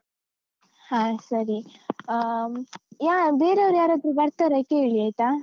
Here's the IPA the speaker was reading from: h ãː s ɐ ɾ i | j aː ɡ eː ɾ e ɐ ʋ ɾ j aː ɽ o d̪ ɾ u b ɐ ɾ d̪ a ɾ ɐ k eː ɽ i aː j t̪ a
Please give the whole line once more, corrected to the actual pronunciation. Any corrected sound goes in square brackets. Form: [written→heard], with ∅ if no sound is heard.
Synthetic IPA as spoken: h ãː s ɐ ɾ i | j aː [ɡ→b] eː ɾ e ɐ ʋ ɾ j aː [ɽ→ɾ] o d̪ ɾ u b ɐ ɾ [d̪→t̪] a ɾ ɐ k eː [ɽ→ɭ] i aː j t̪ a